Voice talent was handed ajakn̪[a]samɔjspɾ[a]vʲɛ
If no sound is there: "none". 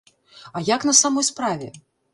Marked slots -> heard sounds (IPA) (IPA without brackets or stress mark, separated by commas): ɐ, a